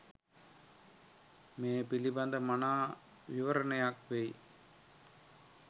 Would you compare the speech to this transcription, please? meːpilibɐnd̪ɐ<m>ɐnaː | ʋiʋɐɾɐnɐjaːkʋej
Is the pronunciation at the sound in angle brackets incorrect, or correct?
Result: correct